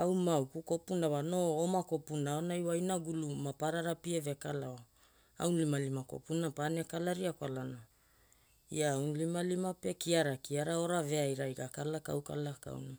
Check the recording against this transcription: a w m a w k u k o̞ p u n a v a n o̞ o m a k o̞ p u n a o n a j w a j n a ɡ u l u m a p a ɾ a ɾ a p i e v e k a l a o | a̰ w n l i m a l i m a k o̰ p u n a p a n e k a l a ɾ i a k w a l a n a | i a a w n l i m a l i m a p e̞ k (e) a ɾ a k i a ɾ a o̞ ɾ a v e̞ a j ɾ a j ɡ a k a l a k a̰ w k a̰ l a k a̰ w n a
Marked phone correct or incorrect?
incorrect